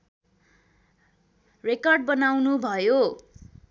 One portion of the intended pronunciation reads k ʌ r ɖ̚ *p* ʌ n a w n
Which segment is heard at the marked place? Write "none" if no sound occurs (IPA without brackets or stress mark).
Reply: b